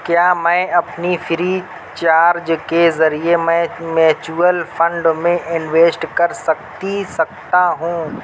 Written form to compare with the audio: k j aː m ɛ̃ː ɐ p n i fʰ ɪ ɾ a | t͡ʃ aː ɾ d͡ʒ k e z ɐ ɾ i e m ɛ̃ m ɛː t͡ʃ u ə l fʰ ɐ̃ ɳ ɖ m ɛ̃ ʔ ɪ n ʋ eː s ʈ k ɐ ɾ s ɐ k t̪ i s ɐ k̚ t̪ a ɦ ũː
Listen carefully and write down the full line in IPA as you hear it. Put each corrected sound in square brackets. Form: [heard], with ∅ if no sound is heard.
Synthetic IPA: k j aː m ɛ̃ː ɐ p n i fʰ ɪ ɾ [i] | t͡ʃ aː ɾ d͡ʒ k e z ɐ ɾ i e m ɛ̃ m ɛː t͡ʃ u ə l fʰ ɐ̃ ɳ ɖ m [ẽ] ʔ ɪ n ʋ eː s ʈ k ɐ ɾ s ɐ k t̪ i s ɐ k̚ t̪ a ɦ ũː